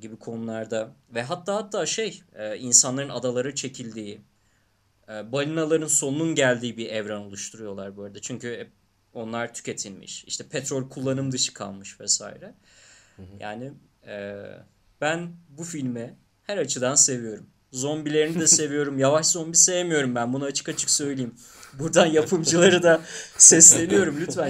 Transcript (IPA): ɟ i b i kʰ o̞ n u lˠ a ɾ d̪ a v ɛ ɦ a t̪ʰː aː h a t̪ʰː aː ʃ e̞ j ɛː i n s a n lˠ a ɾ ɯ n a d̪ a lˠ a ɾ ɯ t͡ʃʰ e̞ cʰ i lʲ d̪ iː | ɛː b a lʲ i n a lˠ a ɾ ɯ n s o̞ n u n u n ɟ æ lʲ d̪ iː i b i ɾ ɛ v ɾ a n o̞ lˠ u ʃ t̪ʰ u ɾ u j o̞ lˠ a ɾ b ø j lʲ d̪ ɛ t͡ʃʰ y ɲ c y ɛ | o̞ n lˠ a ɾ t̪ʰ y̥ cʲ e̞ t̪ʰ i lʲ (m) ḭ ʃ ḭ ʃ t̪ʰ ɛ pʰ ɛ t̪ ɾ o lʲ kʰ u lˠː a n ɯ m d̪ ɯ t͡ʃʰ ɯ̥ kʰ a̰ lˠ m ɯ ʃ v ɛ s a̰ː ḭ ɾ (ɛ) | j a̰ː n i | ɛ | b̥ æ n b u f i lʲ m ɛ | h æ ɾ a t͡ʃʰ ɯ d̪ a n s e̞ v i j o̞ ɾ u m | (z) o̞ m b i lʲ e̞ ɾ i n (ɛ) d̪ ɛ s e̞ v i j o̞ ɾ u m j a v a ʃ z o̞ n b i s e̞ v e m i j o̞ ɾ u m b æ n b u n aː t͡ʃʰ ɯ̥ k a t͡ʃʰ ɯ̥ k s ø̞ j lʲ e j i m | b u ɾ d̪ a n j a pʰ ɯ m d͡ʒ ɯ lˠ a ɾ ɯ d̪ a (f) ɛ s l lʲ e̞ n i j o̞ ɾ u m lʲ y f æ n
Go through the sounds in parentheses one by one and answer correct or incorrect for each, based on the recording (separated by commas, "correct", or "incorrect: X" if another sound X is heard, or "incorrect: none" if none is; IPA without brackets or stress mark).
correct, correct, correct, incorrect: i, incorrect: s